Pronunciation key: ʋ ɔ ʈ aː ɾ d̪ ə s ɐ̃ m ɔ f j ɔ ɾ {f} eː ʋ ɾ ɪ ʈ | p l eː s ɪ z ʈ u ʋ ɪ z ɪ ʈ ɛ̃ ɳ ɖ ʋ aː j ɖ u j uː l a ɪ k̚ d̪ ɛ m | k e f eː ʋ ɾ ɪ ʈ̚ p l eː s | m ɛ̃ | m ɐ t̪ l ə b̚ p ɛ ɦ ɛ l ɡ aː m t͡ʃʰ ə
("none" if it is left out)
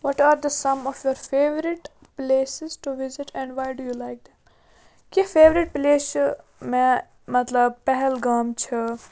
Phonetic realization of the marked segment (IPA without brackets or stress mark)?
f